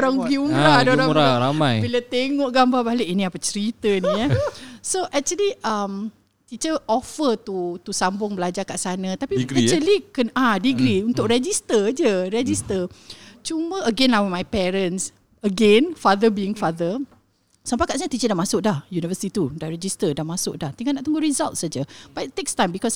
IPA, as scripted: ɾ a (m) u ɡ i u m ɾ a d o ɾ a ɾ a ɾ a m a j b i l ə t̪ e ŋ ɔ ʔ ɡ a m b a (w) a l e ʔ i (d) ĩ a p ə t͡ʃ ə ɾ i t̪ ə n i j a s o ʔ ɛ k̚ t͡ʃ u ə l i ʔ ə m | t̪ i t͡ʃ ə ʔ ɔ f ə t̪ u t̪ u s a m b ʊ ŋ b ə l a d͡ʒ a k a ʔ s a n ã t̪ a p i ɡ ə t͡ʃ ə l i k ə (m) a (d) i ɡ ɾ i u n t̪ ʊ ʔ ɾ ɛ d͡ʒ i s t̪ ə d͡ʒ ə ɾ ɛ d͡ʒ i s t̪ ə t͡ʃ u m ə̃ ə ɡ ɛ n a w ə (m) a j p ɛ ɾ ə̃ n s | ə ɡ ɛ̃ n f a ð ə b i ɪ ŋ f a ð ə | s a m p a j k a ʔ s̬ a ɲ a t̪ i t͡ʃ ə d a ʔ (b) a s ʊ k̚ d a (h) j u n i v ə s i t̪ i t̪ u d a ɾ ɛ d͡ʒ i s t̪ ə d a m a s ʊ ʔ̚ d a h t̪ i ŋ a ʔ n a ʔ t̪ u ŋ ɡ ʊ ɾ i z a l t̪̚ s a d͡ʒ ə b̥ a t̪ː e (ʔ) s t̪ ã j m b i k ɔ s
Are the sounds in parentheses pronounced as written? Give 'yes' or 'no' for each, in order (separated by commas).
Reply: no, no, no, no, yes, yes, no, yes, no